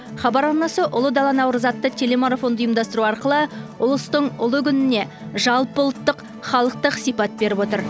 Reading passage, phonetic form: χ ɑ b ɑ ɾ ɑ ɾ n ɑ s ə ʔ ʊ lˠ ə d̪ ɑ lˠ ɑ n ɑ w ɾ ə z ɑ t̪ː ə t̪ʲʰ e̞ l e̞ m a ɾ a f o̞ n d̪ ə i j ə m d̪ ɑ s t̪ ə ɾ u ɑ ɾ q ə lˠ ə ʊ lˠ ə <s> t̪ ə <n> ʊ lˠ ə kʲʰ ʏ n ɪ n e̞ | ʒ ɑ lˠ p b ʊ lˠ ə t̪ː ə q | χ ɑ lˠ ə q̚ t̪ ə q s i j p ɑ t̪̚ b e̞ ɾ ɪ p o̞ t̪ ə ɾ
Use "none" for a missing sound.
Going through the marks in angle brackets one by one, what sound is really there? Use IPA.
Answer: s, ɴ

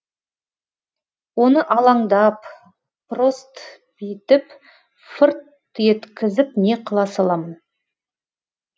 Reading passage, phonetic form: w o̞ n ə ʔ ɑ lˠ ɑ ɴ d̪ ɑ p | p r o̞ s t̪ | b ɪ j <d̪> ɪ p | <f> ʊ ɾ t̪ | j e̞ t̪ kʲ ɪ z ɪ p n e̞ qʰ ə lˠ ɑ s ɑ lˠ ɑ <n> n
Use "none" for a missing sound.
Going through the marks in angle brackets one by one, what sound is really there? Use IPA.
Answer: t̪, f, m

